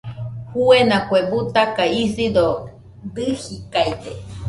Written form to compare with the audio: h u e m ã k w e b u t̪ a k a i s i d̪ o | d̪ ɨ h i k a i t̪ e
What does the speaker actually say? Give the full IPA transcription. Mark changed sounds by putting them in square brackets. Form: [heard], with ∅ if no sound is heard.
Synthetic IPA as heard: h u e [n] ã k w e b u t̪ a k a i s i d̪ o | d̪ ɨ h i k a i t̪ e